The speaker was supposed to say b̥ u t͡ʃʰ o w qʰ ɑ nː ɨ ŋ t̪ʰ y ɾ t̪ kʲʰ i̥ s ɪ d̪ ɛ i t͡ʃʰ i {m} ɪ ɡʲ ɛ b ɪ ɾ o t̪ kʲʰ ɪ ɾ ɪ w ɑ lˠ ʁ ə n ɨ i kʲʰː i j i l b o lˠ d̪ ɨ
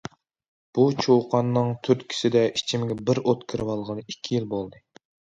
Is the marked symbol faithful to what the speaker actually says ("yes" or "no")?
yes